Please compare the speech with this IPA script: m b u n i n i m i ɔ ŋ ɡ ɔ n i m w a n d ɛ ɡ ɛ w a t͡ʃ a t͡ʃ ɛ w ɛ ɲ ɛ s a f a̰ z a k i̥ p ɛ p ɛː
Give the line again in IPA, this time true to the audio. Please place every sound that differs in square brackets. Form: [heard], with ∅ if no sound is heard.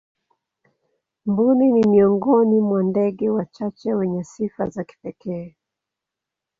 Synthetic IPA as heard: m b u n i n i m i ɔ ŋ ɡ ɔ n i m w a n d ɛ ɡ ɛ w a t͡ʃ a t͡ʃ ɛ w ɛ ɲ ɛ s [i] f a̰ z a k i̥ p ɛ [k] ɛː